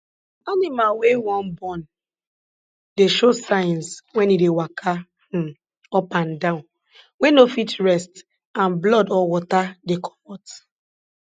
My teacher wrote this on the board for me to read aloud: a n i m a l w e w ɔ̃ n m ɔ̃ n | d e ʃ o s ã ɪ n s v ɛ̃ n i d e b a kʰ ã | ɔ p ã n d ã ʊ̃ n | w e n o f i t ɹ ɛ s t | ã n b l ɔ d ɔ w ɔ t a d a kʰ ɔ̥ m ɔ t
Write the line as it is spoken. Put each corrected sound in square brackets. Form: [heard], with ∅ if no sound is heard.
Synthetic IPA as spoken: a n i m a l w e w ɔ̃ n [b] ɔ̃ n | d e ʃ o s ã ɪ n s [w] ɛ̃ n i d e [w] a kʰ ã | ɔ p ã n d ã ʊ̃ n | w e n o f i t ɹ ɛ s t | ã n b l ɔ d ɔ w ɔ t a d [e] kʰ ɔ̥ m ɔ t